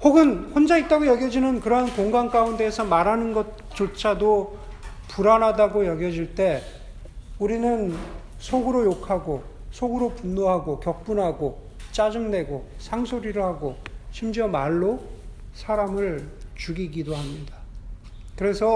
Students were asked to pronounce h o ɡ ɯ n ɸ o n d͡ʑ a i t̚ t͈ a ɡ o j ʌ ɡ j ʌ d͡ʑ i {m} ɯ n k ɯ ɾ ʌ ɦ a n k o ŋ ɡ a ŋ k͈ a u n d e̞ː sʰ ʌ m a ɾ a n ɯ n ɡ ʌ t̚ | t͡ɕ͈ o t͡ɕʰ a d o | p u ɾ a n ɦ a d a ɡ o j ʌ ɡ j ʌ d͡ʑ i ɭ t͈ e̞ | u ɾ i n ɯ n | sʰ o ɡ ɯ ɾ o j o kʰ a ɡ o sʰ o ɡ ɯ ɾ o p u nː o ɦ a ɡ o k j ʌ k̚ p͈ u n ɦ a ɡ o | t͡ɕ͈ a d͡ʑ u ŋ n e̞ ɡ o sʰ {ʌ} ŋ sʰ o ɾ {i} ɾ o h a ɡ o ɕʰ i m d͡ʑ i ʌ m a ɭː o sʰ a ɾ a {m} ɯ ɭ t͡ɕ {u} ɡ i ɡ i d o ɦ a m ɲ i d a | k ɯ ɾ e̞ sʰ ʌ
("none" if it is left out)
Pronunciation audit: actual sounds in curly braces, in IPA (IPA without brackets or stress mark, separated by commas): n, a, i, m, u